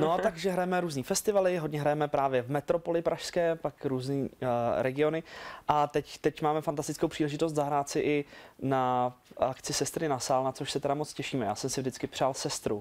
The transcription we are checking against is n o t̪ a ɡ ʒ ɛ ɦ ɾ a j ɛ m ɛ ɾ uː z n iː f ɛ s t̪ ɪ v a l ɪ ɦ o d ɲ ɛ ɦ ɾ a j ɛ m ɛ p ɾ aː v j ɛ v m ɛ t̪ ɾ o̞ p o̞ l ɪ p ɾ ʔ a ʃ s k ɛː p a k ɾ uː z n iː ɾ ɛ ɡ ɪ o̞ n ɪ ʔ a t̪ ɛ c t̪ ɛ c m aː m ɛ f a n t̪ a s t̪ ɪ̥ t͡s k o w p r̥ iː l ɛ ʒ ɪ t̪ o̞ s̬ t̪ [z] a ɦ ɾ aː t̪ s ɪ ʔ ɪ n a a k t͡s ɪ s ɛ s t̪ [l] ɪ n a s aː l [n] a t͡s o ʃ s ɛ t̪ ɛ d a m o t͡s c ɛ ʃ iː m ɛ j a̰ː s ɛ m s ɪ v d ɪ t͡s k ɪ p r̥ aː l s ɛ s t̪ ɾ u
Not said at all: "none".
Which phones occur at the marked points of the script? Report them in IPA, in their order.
z, ɾ, n

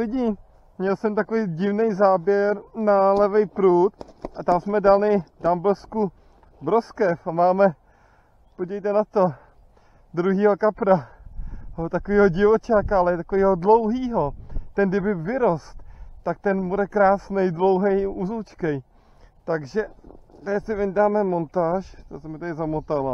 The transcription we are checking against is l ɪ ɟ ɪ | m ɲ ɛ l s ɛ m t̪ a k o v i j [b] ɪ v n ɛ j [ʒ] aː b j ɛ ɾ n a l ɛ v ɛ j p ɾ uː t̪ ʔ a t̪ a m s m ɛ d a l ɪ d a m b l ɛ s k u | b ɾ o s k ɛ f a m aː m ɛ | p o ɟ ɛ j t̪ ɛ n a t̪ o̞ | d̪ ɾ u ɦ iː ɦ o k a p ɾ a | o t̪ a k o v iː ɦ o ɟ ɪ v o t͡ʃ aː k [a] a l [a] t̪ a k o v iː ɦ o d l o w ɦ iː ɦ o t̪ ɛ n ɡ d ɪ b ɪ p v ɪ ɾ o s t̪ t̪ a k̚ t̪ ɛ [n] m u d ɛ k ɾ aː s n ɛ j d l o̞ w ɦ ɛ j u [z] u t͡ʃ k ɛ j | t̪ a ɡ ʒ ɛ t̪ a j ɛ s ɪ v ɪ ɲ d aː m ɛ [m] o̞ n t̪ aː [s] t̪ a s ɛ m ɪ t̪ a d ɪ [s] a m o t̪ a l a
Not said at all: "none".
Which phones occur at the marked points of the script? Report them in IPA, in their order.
ɟ, z, a, ɛ, n, z, m, ʃ, z

